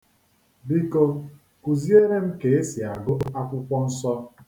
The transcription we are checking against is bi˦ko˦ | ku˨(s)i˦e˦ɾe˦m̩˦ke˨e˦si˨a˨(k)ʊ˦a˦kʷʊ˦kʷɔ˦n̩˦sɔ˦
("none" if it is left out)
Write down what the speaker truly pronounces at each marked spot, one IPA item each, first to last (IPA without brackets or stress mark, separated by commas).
z, ɡ